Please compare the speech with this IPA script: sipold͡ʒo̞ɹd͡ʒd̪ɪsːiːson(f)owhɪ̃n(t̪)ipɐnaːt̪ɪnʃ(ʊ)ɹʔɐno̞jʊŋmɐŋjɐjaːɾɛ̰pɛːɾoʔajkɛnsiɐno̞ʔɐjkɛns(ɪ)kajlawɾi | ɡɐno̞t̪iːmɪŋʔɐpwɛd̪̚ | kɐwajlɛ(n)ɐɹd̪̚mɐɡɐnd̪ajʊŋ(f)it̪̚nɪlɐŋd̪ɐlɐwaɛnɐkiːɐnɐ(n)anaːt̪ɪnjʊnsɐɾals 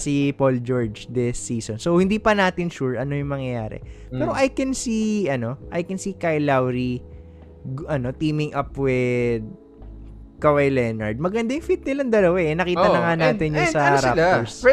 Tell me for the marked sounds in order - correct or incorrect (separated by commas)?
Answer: incorrect, incorrect, incorrect, incorrect, correct, correct, incorrect